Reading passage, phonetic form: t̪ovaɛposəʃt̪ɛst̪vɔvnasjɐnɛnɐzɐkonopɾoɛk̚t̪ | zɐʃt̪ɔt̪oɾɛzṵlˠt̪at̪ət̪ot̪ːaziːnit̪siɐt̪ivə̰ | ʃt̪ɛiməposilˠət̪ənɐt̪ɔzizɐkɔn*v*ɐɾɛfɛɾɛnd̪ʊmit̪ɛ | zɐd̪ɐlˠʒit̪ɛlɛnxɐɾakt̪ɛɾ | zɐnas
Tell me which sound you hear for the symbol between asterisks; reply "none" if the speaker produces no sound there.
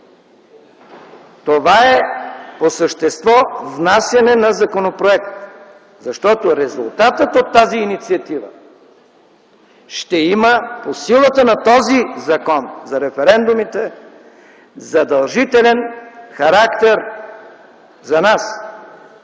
z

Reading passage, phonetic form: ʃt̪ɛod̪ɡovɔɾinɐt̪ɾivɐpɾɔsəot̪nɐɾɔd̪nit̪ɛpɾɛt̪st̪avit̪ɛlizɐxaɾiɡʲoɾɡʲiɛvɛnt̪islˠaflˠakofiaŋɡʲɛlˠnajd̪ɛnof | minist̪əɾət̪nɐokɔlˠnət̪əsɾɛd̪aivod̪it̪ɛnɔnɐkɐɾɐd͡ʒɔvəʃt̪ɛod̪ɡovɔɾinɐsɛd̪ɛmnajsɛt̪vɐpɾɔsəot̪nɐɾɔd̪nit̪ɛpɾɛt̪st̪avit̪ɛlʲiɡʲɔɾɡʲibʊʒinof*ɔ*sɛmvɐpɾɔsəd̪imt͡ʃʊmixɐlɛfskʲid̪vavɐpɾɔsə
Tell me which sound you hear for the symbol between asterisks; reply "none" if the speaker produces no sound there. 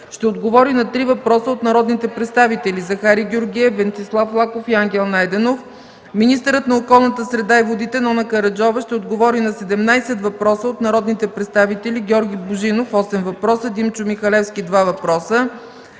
ɔ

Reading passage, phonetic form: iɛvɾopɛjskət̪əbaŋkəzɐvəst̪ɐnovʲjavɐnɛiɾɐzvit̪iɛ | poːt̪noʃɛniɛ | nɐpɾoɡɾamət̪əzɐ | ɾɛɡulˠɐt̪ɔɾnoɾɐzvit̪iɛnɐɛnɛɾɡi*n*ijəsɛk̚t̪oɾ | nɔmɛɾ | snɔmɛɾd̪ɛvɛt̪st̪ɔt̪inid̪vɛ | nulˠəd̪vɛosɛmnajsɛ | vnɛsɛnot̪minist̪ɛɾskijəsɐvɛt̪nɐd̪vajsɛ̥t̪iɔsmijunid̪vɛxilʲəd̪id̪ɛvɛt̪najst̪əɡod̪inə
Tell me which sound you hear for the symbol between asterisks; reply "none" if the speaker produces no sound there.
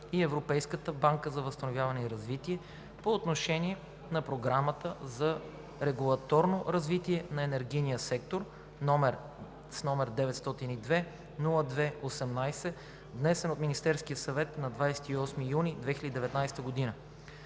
n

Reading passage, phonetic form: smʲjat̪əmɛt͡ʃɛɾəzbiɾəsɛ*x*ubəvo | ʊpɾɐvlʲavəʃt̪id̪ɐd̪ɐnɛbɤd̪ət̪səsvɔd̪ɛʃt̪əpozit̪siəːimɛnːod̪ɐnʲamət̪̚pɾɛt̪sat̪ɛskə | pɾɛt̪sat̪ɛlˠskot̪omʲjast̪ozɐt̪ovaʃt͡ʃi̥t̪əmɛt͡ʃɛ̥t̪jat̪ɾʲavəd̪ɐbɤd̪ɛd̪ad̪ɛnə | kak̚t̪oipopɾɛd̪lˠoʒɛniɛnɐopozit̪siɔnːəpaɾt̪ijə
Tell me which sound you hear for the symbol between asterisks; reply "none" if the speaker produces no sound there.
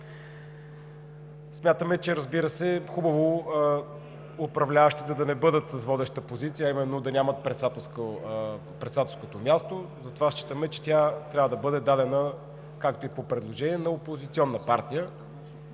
x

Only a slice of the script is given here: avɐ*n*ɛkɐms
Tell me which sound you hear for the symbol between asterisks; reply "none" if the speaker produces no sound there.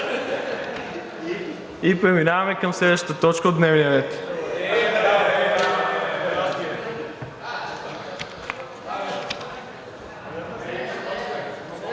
m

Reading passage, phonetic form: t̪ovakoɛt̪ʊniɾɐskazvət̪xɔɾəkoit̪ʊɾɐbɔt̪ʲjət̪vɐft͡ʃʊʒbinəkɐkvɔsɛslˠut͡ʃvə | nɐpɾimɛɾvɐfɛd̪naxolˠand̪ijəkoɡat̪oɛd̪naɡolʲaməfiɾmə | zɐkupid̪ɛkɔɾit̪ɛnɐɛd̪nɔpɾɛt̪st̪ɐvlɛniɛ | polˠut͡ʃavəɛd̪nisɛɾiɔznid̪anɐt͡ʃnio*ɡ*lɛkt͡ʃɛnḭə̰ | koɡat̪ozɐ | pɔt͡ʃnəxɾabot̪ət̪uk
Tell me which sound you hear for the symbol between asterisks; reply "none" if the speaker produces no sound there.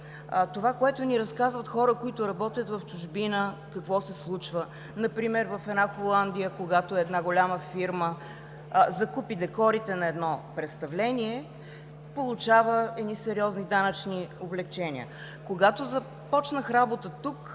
b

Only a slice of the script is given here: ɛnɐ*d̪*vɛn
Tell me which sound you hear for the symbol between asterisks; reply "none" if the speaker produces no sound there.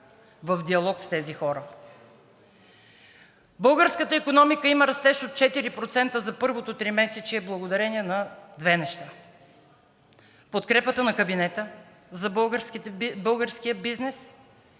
d̪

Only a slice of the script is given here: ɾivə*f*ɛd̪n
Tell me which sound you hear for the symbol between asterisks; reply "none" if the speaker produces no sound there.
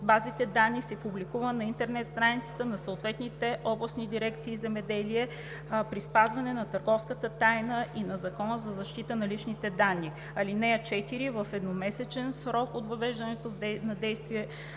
f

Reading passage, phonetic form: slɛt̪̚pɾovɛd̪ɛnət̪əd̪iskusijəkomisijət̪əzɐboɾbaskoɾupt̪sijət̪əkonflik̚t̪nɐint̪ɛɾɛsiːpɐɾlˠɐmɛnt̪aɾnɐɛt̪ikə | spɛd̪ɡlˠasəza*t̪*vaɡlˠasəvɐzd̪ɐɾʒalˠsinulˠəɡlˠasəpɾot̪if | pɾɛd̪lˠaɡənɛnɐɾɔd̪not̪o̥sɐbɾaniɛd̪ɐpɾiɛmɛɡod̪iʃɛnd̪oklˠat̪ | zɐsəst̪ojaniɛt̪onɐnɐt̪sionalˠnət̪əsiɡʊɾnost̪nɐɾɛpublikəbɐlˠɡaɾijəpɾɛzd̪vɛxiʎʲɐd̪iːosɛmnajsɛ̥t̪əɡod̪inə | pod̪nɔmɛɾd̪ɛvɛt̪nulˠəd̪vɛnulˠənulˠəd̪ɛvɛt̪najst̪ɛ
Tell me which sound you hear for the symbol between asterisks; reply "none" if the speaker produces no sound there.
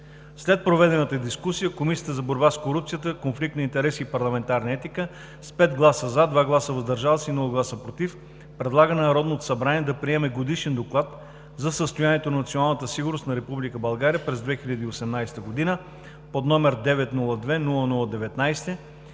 d̪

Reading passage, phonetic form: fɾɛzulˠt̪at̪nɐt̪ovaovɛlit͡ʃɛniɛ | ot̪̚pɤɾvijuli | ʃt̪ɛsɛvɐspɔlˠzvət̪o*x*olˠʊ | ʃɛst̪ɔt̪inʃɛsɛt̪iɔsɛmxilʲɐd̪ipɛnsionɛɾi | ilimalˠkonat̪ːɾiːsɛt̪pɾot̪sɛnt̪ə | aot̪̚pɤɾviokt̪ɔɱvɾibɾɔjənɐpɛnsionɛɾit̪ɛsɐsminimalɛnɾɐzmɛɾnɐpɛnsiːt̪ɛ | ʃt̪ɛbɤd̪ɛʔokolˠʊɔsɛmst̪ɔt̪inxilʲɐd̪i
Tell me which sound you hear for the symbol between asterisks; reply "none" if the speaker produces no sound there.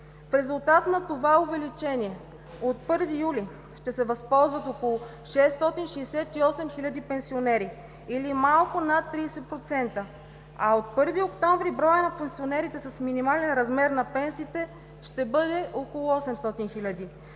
k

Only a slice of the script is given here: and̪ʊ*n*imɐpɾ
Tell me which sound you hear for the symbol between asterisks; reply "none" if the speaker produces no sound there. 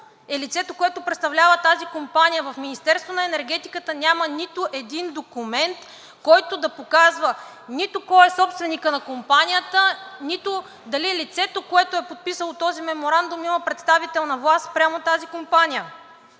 m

